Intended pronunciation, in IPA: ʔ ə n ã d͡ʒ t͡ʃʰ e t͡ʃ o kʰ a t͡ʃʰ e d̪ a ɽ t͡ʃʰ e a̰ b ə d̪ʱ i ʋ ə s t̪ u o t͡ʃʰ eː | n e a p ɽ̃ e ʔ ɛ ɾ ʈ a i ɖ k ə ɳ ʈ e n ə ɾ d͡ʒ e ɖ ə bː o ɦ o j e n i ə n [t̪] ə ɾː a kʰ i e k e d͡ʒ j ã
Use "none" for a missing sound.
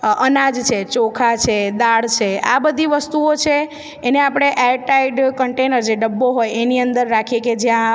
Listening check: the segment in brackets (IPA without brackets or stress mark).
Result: d̪